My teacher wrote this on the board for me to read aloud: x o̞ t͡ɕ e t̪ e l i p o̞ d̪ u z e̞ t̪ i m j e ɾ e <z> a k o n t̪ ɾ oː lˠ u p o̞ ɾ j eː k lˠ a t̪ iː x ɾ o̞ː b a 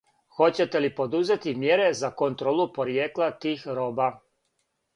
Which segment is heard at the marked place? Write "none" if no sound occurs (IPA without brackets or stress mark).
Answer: z